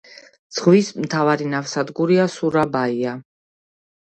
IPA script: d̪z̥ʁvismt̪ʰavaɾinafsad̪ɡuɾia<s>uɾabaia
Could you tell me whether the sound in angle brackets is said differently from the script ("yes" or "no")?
no